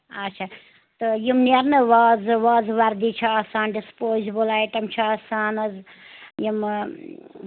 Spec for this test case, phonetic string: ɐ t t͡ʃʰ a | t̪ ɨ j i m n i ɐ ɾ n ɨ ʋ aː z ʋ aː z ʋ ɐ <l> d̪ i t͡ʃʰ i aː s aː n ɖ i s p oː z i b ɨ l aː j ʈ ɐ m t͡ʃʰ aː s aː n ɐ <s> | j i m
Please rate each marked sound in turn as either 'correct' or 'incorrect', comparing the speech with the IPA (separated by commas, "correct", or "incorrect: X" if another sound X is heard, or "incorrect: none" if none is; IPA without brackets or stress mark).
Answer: incorrect: ɾ, incorrect: z